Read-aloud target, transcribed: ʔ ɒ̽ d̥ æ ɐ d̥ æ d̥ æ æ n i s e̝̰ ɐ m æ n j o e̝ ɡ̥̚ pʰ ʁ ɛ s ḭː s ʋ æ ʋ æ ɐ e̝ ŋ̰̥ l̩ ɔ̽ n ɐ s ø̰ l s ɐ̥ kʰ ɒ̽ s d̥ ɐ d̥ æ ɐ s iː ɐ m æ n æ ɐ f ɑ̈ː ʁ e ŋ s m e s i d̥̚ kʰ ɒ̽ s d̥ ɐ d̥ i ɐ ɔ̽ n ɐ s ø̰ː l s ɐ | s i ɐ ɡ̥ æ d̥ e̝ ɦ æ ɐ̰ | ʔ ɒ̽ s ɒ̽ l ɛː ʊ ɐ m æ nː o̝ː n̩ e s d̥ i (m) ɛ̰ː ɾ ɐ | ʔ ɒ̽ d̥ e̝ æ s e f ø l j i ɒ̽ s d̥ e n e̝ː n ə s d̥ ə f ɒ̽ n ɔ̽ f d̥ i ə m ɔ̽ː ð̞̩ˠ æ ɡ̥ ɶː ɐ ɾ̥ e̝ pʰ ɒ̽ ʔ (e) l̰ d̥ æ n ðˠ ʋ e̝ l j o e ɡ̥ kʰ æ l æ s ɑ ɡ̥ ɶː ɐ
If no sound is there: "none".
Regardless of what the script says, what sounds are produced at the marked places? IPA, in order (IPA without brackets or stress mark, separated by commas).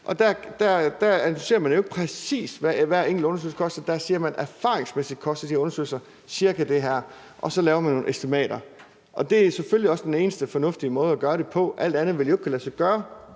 m, æ